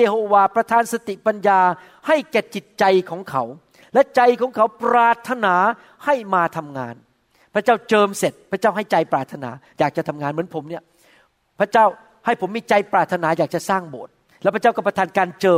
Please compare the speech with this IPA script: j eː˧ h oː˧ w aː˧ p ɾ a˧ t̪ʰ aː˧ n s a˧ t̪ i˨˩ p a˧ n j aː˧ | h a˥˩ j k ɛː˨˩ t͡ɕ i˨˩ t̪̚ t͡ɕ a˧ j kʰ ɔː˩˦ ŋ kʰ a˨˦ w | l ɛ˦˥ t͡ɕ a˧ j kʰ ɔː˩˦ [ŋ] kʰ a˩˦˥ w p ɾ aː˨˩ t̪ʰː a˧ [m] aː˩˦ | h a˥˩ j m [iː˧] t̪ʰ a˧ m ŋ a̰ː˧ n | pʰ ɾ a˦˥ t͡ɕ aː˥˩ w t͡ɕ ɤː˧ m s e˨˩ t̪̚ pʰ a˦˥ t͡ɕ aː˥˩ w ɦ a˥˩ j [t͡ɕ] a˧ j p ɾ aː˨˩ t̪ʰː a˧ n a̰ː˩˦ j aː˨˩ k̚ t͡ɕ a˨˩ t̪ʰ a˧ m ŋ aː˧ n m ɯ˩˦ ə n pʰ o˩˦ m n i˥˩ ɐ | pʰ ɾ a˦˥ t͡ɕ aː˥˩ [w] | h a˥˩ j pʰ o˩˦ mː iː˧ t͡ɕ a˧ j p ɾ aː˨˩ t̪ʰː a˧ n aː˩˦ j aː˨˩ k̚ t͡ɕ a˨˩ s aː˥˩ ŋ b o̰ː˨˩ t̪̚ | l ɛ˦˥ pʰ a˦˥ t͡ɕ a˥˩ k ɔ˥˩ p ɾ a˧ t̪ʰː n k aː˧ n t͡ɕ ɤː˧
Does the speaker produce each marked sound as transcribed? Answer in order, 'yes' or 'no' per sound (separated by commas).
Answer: yes, no, no, yes, yes